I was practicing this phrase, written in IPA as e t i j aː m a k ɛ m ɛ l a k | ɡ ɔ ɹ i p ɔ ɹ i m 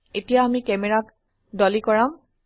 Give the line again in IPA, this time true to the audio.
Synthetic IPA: e t i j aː m i k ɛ m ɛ ɹ a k | d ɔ l i k ɔ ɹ a m